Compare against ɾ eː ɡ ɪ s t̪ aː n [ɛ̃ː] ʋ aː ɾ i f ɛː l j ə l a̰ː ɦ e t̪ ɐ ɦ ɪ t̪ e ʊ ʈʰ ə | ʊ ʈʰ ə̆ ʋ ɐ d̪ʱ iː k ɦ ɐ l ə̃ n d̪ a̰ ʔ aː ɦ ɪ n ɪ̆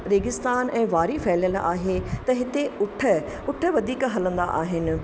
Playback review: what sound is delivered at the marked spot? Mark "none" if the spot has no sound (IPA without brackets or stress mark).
ɛ̃ː